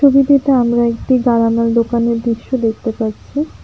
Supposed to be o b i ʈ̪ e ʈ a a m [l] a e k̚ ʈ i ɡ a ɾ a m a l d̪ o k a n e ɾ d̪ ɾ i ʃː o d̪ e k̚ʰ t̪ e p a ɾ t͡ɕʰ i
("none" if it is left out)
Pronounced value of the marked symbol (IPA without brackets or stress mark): ɾ